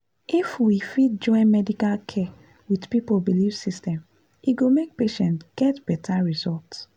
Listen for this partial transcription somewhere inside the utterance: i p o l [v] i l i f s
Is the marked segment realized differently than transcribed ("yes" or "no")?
yes